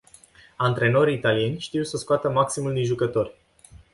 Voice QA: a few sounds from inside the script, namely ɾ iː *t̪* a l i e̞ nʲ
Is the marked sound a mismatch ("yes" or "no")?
no